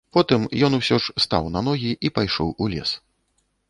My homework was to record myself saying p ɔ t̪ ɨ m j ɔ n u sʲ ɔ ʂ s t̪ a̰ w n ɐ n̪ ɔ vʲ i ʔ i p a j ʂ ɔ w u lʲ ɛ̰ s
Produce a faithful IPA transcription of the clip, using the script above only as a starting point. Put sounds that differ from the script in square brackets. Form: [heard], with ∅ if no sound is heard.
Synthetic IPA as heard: p ɔ t̪ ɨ m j ɔ n u sʲ ɔ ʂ s t̪ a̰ w n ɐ n̪ ɔ [ɣʲ] i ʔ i p a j ʂ ɔ w u lʲ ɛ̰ s